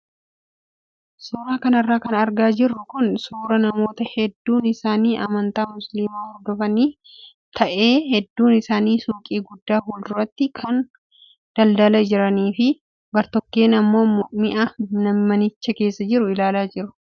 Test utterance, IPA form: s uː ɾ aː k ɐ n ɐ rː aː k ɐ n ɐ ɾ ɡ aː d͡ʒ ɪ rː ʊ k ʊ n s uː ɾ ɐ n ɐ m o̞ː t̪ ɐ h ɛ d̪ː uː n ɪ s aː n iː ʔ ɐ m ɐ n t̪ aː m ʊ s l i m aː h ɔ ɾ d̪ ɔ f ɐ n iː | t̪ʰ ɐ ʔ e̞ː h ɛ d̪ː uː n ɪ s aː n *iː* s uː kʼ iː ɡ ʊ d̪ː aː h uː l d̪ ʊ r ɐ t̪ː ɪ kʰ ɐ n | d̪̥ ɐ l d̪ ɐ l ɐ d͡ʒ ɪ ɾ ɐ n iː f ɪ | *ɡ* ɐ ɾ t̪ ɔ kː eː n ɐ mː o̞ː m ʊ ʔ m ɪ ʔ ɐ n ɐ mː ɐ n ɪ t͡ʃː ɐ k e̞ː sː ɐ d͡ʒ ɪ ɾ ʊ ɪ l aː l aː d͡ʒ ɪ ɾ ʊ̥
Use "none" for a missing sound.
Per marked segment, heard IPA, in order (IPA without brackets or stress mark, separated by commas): iː, b